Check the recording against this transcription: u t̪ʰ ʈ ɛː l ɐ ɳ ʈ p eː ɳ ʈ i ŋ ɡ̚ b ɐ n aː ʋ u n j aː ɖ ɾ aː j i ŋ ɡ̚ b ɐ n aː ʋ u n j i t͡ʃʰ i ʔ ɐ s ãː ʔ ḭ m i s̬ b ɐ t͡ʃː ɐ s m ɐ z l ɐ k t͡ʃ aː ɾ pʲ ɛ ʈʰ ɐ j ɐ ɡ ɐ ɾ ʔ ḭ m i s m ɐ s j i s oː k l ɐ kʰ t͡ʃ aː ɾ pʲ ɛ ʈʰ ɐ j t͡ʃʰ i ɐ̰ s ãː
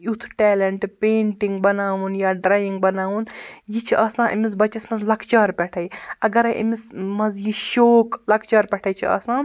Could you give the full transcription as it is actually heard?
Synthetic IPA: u t̪ʰ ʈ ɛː l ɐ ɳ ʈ p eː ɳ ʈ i ŋ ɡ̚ b ɐ n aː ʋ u n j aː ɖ ɾ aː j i ŋ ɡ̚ b ɐ n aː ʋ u n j i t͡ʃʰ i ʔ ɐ s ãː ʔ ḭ m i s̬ b ɐ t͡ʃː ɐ s m ɐ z l ɐ k t͡ʃ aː ɾ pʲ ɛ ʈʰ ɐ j ɐ ɡ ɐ ɾ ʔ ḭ m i s m ɐ z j i ʃ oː k l ɐ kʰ t͡ʃ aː ɾ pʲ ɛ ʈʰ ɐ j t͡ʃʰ i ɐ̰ s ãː